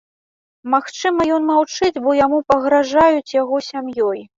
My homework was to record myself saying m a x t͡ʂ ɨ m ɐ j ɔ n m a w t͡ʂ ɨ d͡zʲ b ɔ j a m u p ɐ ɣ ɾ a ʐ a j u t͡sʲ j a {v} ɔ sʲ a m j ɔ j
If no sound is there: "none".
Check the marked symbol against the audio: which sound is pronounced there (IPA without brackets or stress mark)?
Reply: ɣ